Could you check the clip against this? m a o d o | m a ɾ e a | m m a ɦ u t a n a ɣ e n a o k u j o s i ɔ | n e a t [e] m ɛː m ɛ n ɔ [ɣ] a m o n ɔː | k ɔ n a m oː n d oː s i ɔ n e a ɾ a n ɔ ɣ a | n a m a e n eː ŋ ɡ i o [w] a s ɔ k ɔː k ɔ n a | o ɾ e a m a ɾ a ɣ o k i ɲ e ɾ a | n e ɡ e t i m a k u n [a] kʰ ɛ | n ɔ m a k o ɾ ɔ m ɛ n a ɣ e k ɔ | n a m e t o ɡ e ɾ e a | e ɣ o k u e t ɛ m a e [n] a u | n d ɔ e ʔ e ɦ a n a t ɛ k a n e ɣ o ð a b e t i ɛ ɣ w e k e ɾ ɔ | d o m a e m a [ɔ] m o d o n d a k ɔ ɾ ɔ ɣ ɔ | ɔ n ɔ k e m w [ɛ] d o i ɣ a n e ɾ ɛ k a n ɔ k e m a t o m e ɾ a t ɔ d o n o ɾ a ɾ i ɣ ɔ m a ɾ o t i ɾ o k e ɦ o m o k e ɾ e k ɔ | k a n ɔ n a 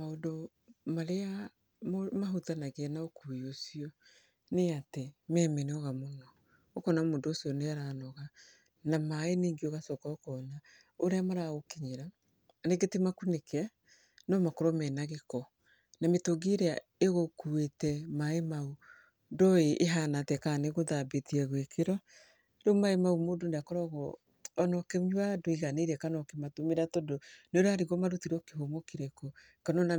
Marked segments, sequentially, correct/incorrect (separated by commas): correct, correct, incorrect, incorrect, incorrect, incorrect, incorrect